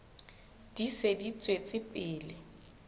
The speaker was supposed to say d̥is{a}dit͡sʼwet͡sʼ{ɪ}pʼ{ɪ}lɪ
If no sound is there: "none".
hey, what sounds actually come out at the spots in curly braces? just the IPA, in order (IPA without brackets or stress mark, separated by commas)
e, ɪ, ɪː